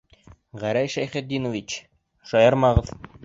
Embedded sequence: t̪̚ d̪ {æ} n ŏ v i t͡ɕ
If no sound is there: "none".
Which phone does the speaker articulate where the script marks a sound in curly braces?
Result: i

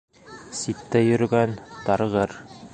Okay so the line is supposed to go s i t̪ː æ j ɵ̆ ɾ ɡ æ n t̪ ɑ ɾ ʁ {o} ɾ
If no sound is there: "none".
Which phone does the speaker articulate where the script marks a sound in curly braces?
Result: ɤ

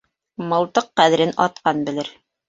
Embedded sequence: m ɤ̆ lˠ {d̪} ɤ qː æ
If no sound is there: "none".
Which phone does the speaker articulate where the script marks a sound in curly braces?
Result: t̪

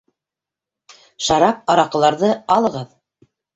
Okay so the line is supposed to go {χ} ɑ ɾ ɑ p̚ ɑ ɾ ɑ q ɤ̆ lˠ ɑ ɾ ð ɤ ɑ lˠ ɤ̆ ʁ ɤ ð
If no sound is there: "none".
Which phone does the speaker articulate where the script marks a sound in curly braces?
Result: ʃ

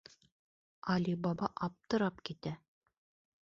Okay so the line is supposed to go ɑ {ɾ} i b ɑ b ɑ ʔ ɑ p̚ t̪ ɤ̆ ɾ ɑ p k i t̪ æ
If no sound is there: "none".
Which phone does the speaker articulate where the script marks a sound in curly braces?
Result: l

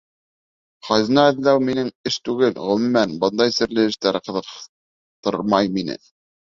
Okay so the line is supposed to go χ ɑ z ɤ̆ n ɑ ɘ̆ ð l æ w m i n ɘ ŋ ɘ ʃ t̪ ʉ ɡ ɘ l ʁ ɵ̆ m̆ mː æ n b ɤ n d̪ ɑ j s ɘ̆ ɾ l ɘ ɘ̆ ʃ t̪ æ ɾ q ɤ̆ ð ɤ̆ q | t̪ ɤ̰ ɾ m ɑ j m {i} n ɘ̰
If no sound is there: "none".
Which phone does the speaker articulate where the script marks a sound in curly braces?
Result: i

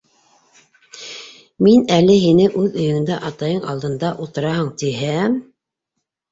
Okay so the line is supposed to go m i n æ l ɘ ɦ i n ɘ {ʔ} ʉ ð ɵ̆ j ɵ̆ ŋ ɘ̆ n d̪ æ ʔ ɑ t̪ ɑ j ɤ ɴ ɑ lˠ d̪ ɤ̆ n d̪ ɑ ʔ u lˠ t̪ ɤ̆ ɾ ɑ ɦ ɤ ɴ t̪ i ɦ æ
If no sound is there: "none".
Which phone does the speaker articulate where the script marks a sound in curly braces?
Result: ʔ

